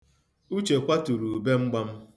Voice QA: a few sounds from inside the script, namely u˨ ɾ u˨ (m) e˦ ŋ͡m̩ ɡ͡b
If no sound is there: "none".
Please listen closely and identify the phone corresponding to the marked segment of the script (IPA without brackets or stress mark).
b